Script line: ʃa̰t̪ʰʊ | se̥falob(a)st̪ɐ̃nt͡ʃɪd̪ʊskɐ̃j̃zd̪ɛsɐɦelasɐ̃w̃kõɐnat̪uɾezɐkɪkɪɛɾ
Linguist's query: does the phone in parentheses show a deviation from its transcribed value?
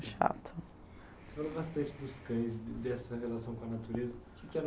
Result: no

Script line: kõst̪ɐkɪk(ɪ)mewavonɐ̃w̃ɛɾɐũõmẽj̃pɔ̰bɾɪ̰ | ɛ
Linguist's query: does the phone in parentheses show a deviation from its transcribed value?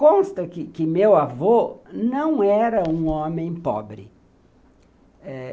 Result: no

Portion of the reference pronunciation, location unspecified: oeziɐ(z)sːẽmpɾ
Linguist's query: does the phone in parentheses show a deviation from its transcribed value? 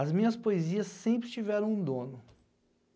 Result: yes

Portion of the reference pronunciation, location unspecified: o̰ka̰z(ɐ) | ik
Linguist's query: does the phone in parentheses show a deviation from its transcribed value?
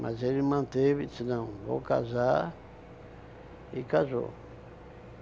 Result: yes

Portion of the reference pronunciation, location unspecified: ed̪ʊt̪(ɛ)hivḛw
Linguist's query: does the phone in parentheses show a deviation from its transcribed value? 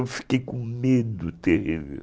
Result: yes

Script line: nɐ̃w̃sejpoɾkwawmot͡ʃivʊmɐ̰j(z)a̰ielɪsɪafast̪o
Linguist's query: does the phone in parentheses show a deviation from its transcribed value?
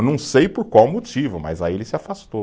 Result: no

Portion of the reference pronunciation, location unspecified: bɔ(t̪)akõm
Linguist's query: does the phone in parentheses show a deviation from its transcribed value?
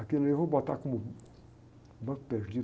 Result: no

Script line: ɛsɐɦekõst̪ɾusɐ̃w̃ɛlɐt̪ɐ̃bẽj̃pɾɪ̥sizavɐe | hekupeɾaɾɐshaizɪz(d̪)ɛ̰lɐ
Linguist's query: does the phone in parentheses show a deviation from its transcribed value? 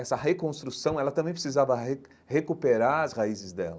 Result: no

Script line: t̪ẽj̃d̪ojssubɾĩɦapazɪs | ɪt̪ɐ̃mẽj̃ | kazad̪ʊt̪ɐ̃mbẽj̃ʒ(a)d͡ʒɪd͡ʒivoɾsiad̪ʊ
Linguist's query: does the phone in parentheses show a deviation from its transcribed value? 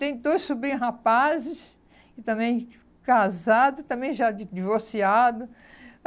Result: no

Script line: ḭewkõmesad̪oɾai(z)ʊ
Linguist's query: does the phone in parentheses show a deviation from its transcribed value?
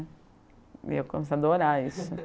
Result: yes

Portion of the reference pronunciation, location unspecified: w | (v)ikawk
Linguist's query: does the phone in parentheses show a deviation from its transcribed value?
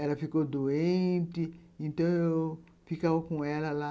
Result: yes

